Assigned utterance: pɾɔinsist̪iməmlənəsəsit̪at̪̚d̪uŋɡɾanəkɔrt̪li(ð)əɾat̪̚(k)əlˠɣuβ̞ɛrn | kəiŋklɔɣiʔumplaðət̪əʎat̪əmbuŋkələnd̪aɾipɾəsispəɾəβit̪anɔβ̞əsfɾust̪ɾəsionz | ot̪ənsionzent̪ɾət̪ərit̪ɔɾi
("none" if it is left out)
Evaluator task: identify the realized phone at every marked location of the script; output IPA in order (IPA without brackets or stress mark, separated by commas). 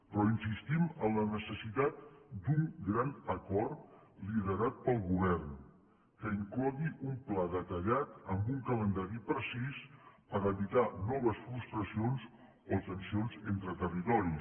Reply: ð, p